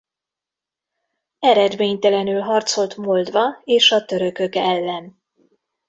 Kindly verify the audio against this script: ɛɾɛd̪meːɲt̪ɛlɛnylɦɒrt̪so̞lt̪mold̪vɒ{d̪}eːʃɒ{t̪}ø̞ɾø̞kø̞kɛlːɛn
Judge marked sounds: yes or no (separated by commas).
no, yes